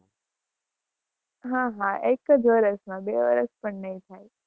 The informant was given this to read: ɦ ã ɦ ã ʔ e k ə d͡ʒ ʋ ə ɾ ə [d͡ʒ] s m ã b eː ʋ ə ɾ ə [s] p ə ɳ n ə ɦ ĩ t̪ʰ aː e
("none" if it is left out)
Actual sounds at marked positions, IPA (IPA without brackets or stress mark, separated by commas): none, s